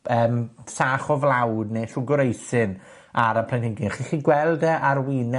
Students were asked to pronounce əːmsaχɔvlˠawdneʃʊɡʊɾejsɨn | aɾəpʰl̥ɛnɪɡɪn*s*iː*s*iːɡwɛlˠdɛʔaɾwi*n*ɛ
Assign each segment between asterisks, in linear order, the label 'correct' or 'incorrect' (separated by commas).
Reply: incorrect, incorrect, correct